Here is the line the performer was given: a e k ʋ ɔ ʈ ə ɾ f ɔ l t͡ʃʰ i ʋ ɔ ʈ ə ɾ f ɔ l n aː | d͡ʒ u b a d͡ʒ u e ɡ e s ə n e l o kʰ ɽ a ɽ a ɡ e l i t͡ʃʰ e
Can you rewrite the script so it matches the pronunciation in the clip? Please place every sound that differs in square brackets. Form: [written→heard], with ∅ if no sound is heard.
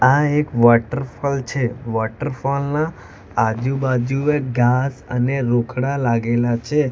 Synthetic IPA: a e k ʋ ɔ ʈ ə ɾ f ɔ l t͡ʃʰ [i→e] ʋ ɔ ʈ ə ɾ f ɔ l n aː | d͡ʒ u b a d͡ʒ u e ɡ [e→a] s ə n e [l→ɾ] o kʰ ɽ a [ɽ→l] a ɡ e l [i→a] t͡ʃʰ e